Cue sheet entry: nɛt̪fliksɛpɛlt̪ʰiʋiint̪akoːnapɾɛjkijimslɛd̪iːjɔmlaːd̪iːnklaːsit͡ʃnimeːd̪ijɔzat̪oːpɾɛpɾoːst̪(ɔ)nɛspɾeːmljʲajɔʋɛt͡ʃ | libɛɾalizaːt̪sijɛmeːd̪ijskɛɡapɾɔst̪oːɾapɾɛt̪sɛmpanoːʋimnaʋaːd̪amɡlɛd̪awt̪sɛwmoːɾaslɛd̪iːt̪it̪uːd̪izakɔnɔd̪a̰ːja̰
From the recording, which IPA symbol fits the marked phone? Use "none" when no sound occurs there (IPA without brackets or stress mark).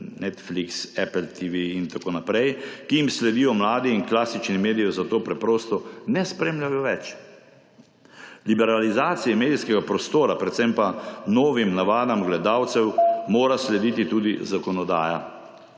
ɔ